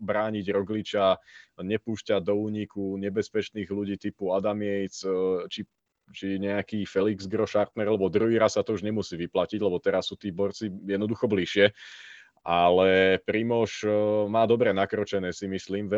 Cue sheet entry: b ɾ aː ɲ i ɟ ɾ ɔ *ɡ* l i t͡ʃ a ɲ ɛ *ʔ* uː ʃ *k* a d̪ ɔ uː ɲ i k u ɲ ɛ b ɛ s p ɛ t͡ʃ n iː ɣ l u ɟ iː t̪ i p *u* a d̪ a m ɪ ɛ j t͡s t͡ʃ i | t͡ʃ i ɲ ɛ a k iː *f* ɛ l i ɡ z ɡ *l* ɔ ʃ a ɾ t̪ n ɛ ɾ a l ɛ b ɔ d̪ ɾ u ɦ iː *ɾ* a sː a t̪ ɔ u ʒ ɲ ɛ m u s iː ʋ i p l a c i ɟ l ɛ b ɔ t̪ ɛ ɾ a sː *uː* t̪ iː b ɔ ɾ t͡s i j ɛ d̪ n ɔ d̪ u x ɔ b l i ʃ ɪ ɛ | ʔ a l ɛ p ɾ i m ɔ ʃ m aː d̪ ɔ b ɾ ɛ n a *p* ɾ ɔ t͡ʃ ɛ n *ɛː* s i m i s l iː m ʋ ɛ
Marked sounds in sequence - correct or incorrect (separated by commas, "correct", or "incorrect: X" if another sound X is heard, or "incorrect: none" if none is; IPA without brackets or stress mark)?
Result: correct, incorrect: p, incorrect: c, correct, correct, incorrect: ɾ, correct, correct, incorrect: k, correct